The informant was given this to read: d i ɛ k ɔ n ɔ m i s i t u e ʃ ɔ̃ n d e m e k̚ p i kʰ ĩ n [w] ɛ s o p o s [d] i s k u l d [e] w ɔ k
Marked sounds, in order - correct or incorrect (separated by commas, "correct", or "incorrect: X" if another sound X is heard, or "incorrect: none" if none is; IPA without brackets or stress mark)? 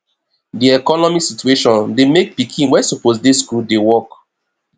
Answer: correct, correct, correct